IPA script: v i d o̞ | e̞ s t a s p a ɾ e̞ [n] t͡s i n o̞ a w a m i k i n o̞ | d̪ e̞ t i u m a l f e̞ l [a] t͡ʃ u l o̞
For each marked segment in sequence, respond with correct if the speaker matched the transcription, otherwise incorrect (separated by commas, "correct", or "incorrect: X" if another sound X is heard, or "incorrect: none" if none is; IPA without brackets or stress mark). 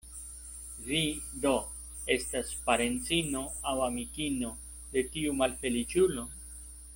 correct, incorrect: i